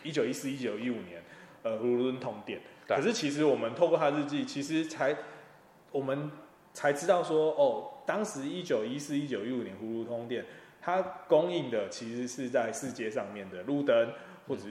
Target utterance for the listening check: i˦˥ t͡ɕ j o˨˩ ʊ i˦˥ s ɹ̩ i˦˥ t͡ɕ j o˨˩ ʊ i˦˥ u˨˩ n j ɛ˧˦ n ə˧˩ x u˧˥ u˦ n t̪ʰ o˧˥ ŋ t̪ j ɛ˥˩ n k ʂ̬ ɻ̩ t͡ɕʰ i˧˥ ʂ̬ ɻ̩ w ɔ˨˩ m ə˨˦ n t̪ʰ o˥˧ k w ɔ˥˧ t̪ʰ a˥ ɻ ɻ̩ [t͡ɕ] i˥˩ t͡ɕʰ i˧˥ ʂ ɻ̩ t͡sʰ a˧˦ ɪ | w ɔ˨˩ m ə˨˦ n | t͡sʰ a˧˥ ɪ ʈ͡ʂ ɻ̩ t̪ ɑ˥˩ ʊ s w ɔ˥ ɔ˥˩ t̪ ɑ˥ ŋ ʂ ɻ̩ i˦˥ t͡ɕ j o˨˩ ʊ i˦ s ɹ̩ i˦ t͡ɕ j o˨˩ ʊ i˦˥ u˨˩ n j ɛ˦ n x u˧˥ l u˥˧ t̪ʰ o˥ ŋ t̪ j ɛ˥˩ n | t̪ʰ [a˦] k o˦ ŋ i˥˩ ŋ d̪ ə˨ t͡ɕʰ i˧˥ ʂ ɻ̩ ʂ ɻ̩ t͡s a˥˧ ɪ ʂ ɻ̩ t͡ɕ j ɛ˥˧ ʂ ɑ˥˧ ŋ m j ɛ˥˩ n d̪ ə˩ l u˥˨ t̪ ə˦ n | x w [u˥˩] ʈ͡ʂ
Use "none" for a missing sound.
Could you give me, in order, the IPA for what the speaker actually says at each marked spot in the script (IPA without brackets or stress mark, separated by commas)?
t͡ɕ, a˦, ɔ˥˩